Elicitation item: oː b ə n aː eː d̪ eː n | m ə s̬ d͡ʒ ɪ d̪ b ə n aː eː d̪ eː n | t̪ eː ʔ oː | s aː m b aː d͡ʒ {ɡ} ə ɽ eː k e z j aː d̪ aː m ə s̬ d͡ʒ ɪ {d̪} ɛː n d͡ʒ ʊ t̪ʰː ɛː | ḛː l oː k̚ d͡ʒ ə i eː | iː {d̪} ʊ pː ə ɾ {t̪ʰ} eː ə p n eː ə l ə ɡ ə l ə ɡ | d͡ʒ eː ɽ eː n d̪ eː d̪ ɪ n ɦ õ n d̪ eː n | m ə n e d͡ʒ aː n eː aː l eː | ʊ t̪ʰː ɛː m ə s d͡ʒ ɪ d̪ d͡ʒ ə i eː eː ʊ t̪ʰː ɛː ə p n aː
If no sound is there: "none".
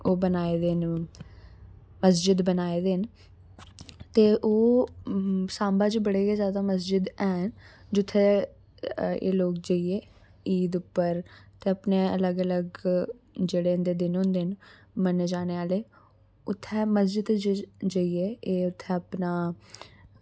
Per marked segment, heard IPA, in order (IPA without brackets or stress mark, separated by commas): b, d̪, d̪, t̪